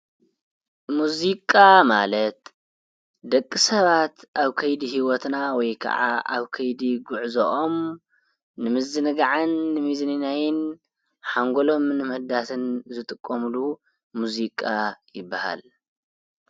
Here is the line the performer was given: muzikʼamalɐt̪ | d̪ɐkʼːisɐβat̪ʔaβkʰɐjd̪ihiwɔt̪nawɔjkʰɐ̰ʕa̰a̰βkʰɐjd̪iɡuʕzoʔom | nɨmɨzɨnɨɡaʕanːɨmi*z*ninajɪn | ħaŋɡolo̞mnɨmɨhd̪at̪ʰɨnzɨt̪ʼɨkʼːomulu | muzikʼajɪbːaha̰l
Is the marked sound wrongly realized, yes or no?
no